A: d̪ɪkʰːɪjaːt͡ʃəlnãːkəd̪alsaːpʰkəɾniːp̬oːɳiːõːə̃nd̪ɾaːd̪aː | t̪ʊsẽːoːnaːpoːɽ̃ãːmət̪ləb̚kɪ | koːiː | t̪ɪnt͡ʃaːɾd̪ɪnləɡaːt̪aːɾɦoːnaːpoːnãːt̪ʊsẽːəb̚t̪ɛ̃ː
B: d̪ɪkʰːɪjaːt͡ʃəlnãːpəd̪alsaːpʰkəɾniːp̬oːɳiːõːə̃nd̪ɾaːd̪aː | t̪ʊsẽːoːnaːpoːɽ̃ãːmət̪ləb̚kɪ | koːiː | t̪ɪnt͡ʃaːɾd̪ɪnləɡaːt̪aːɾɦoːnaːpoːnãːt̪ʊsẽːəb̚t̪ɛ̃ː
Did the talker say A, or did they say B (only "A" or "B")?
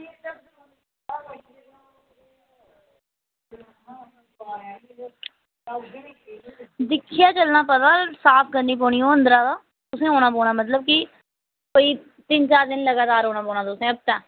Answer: B